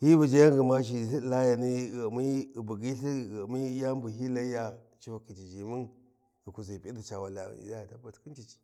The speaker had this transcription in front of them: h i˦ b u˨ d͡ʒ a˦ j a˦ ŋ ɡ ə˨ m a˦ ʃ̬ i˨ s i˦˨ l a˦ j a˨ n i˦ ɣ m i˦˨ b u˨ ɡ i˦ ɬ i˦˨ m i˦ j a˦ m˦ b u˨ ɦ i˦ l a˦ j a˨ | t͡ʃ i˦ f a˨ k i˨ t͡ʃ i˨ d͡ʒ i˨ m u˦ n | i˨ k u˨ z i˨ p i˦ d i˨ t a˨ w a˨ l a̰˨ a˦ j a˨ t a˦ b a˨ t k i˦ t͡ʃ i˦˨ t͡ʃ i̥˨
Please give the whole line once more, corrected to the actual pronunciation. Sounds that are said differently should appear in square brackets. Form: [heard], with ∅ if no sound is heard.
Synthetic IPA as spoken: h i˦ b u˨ d͡ʒ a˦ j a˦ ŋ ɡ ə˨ m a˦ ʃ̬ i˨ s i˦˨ l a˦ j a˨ n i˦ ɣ m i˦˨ b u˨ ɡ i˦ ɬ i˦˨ m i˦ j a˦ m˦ b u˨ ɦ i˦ l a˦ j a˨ | t͡ʃ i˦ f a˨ k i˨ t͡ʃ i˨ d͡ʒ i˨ m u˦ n | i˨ k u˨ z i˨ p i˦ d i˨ [t͡ʃ] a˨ w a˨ l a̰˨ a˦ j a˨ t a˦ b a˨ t k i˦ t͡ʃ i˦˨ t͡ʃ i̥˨